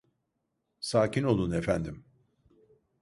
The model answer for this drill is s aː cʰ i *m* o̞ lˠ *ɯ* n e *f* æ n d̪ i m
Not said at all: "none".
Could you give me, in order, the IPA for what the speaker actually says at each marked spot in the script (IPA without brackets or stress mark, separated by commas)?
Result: n, u, f